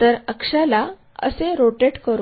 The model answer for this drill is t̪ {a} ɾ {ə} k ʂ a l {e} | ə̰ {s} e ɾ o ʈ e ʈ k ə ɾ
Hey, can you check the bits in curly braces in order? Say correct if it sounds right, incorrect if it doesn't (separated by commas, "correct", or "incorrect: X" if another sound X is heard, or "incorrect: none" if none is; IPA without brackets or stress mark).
incorrect: ə, correct, incorrect: a, correct